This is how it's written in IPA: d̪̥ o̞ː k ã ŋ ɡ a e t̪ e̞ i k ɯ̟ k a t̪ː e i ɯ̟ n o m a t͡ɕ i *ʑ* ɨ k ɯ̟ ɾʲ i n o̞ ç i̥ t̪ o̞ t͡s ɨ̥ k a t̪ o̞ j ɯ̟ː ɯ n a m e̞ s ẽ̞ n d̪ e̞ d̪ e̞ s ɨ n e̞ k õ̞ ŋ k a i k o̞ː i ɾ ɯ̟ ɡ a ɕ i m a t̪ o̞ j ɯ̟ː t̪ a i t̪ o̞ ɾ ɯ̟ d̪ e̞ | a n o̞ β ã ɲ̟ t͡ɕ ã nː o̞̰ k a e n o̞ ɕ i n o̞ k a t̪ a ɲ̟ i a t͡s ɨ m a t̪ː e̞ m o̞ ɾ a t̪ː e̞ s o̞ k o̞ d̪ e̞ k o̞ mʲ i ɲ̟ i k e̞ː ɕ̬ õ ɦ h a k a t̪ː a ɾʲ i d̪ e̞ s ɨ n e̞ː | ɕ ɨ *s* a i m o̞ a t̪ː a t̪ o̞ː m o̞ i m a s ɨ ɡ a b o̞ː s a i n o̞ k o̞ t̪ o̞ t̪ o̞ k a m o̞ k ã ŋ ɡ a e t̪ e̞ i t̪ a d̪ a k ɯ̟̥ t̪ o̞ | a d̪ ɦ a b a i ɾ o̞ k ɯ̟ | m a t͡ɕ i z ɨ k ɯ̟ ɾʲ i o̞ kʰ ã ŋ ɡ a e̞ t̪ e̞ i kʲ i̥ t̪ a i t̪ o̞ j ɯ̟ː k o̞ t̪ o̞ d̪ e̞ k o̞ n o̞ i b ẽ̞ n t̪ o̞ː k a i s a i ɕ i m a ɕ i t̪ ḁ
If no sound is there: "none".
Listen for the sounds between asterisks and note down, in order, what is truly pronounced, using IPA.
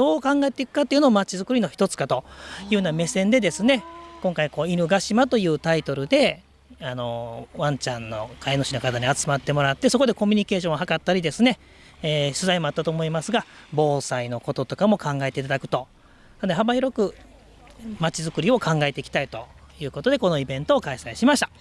z, z

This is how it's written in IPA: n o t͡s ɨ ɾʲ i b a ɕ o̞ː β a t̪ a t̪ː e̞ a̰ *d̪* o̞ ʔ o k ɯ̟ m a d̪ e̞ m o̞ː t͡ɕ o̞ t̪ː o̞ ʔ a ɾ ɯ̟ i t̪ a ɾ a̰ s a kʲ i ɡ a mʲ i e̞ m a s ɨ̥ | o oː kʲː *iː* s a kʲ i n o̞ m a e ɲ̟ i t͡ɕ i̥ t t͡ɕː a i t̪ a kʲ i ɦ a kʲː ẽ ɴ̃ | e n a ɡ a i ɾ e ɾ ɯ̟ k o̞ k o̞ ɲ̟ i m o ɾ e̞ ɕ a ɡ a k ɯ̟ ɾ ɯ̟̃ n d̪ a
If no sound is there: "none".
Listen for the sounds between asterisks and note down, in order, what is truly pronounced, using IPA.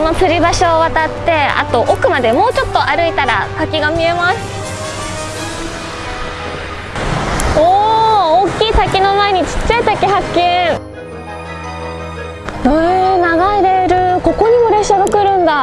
t̪, iː

